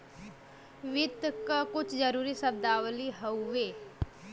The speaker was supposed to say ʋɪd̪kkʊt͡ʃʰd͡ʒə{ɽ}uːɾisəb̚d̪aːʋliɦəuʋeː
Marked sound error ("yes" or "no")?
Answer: yes